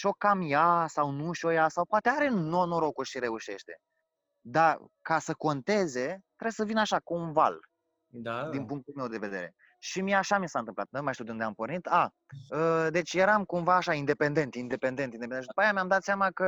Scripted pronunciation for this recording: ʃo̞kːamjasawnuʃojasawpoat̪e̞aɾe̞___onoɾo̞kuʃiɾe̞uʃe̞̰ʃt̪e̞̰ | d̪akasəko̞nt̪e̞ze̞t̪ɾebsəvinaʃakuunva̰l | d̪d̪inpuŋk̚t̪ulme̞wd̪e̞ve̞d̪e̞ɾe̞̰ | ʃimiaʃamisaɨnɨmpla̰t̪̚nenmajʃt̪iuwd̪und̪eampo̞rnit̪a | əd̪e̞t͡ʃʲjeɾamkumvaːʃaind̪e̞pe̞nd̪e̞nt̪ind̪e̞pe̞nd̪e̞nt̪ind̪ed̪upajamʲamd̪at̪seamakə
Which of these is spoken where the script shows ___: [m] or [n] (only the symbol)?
n